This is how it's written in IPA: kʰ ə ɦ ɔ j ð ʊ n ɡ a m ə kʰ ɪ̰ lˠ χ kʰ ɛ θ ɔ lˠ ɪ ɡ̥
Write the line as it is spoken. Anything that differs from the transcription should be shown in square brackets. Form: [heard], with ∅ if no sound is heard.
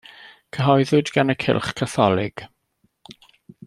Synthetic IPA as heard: kʰ ə ɦ ɔ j ð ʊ [d] ɡ a [n] ə kʰ ɪ̰ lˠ χ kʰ [a] θ ɔ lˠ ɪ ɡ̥

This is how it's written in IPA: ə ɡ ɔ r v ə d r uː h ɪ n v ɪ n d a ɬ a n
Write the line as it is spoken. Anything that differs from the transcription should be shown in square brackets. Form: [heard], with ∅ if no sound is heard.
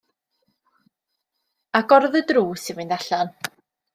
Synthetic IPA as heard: [a] ɡ ɔ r [ð] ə d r uː [s] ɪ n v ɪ n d a ɬ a n

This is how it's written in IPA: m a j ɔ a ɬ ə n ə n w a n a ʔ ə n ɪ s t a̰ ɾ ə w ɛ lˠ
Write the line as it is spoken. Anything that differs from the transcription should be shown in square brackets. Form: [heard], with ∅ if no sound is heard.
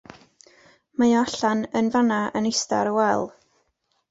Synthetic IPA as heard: m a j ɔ a ɬ [a] n ə n [v] a n a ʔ ə n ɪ s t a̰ ɾ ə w ɛ lˠ

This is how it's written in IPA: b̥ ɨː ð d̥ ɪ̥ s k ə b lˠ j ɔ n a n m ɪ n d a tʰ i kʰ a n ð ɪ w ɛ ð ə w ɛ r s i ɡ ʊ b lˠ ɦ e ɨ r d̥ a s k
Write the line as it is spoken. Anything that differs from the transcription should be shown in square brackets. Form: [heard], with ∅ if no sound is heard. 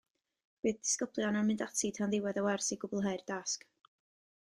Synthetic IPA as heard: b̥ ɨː ð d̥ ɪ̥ s k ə b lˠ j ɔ n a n m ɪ n d a tʰ i [tʰ] a n ð ɪ w ɛ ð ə w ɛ r s i ɡ ʊ b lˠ ɦ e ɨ r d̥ a s k

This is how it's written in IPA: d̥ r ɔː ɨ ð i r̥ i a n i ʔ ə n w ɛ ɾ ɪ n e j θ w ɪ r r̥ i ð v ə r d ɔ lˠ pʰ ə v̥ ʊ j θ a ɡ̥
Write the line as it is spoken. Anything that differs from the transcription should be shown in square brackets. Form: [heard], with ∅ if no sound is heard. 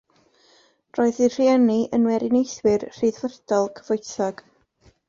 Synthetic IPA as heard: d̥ r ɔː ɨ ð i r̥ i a n i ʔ ə n w ɛ ɾ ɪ n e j θ w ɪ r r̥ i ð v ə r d ɔ lˠ [kʰ] ə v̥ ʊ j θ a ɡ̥

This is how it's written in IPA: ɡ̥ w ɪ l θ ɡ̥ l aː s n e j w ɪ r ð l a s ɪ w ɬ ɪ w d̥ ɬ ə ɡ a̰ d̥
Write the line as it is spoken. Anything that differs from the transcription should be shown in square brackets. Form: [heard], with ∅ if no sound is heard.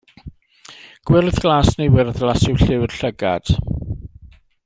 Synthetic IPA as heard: ɡ̥ w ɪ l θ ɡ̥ l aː s n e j w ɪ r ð l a s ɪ w ɬ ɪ w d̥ ɬ ə ɡ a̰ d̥

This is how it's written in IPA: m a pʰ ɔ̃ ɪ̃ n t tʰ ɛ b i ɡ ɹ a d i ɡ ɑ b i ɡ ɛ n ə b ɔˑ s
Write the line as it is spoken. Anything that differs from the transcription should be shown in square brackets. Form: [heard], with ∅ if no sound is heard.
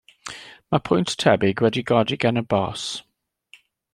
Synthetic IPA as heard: m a pʰ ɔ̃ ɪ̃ n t tʰ ɛ b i ɡ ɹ [ɛ] d i ɡ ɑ [d] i ɡ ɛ n ə b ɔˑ s

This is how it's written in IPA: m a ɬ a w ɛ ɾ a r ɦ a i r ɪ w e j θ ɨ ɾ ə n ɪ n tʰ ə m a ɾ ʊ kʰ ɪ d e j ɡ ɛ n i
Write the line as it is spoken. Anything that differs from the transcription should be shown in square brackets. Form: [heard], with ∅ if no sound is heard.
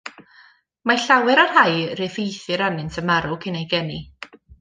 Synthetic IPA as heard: m a ɬ a w ɛ ɾ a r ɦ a [j] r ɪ [v] e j θ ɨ ɾ [a] n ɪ n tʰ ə m a ɾ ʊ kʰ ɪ [n] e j ɡ ɛ n i

